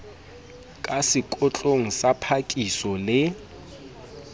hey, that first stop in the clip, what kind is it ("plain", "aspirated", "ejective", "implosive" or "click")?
ejective